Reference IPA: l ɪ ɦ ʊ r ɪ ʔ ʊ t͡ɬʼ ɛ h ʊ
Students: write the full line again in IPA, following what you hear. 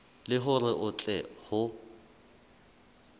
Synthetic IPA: l ɪ ɦ ʊ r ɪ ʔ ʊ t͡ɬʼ ɛ h ʊ